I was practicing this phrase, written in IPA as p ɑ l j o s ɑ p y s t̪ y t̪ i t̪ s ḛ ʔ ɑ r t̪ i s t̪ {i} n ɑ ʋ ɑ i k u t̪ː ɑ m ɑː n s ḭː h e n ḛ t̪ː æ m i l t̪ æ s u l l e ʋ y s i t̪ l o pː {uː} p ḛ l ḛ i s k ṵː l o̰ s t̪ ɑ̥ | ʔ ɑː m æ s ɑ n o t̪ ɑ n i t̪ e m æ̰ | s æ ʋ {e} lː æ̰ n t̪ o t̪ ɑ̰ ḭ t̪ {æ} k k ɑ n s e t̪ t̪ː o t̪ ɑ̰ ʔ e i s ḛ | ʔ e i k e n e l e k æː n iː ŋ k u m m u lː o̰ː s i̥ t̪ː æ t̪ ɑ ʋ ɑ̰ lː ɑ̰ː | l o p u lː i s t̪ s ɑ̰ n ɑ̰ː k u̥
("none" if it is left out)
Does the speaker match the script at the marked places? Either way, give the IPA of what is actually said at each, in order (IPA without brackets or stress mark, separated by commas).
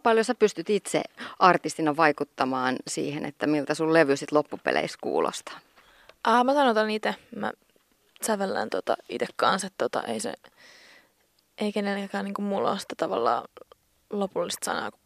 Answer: i, u, e, e